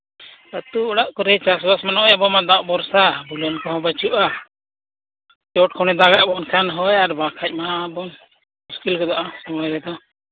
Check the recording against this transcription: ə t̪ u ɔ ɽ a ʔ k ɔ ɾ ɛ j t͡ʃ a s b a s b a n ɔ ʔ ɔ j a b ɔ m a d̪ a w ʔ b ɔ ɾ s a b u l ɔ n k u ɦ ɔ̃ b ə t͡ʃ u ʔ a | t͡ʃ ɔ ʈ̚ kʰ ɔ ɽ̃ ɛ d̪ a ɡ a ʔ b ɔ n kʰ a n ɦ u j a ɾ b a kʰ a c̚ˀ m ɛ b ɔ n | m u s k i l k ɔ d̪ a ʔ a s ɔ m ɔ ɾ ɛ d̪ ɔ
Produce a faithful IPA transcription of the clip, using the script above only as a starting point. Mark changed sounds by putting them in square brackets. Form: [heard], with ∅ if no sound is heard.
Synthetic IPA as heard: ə t̪ u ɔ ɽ a ʔ k ɔ ɾ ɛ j t͡ʃ a s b a s [m] a n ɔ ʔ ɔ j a b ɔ m a d̪ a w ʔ b ɔ ɾ s a b u l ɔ n k [ɔ] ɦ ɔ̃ b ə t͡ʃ u ʔ a | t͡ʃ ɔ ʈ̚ kʰ ɔ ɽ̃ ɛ d̪ a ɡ a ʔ b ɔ n kʰ a n ɦ [ɔ] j a ɾ b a kʰ a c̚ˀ m [a] b ɔ n | m u s k i l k ɔ d̪ a ʔ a s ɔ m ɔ ɾ ɛ d̪ ɔ